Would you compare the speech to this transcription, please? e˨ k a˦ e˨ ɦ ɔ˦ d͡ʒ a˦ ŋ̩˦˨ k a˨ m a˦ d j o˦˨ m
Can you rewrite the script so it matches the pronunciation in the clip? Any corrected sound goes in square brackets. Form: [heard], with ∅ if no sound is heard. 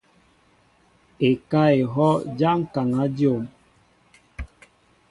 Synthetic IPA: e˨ k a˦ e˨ ɦ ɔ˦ d͡ʒ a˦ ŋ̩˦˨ k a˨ [ŋ] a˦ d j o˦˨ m